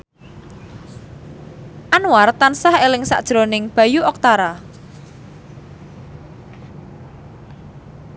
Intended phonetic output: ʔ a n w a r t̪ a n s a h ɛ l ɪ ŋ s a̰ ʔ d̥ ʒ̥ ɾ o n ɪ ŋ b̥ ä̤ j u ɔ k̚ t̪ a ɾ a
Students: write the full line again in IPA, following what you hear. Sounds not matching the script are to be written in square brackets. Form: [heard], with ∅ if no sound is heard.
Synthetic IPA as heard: ʔ a n w a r t̪ a n s a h [e] l ɪ ŋ s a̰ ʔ d̥ ʒ̥ ɾ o n ɪ ŋ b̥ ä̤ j u ɔ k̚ t̪ a ɾ a